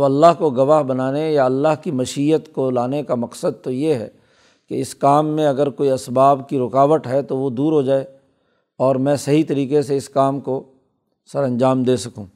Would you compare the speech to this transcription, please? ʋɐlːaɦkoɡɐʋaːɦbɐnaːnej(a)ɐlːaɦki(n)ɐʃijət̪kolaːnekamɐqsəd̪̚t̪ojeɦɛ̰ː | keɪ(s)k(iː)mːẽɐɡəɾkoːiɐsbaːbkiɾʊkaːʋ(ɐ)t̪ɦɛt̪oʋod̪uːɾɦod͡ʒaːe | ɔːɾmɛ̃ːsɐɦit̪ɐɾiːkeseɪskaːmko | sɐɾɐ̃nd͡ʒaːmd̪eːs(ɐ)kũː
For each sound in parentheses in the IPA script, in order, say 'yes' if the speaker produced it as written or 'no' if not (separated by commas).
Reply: yes, no, yes, no, no, yes